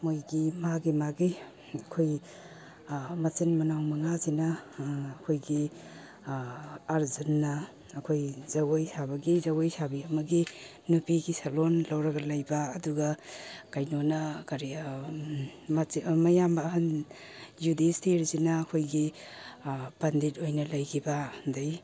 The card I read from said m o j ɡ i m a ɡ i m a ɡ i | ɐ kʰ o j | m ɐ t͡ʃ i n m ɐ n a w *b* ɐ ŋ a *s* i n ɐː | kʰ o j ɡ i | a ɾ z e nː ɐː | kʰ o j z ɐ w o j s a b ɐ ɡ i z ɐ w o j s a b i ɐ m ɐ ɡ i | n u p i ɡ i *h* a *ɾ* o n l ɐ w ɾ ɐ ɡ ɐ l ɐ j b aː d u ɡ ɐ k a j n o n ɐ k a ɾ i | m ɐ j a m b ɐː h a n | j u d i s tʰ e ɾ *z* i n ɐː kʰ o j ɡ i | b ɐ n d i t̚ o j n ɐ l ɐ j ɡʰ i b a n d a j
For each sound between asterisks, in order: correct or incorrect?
incorrect, incorrect, incorrect, incorrect, correct

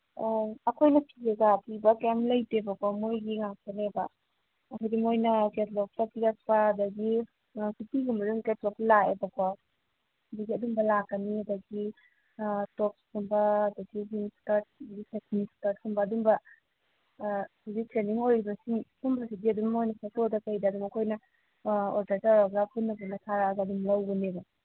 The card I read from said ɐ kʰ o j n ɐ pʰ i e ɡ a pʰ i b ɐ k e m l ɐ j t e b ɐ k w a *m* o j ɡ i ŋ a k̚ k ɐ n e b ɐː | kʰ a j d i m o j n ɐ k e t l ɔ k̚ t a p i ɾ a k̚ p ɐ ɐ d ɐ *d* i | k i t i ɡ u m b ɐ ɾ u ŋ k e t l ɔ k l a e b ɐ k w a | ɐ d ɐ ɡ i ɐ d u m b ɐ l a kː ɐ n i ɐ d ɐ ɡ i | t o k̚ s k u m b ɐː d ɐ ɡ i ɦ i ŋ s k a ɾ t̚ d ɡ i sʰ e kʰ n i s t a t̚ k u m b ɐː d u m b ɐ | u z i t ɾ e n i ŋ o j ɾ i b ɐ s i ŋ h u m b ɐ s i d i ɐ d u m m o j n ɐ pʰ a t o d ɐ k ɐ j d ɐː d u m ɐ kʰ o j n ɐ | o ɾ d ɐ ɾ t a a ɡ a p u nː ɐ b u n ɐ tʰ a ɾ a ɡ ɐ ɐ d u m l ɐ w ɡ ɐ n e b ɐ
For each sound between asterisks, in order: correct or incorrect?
correct, incorrect

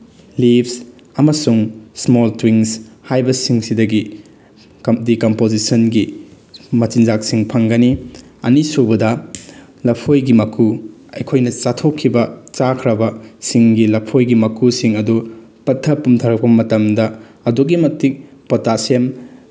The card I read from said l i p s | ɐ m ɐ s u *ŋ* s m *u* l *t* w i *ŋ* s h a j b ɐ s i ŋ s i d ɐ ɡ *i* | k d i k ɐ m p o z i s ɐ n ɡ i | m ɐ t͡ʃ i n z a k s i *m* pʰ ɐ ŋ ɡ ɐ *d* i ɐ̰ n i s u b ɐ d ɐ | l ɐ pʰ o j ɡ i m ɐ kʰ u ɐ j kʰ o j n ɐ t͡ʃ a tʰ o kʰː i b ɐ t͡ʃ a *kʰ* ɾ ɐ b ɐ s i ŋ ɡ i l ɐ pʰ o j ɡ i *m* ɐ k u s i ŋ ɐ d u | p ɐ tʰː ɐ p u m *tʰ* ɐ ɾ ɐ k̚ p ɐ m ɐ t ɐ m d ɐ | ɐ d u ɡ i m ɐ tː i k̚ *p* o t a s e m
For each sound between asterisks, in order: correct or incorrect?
correct, incorrect, correct, correct, correct, incorrect, incorrect, correct, correct, correct, correct

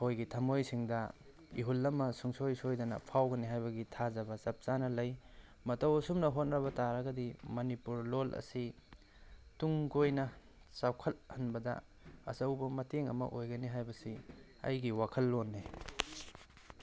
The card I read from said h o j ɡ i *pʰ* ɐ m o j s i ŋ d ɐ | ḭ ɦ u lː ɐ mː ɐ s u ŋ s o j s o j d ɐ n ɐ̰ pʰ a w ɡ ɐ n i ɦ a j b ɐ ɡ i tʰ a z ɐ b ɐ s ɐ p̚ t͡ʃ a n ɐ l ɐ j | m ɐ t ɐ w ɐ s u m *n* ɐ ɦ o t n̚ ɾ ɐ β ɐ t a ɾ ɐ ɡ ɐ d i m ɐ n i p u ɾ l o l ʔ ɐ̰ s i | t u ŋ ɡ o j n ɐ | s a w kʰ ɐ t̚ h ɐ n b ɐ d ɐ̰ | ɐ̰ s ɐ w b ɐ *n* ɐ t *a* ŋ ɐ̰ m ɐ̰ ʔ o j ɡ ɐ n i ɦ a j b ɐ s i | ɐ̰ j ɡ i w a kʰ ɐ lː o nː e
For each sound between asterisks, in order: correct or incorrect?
incorrect, correct, incorrect, incorrect

